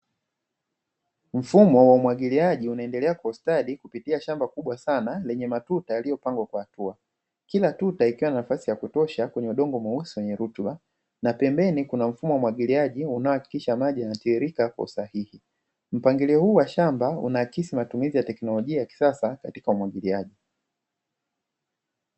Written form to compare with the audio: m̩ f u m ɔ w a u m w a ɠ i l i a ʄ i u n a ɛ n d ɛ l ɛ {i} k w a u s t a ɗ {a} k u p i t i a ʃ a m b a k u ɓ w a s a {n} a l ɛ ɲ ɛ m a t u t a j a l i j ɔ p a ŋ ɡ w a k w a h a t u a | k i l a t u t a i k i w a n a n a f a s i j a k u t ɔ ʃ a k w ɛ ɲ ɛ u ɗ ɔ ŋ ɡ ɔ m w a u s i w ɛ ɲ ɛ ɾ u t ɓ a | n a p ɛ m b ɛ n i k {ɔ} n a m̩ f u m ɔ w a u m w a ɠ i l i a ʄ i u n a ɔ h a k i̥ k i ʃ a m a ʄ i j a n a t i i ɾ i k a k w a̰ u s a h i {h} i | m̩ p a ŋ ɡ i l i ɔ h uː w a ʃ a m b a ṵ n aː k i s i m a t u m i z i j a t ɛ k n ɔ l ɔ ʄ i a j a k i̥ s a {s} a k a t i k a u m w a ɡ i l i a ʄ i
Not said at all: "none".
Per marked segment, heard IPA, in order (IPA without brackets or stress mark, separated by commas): a, i, n, u, h, s